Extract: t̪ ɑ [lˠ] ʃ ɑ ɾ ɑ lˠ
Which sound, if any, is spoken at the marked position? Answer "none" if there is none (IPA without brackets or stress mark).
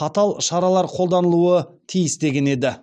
lˠ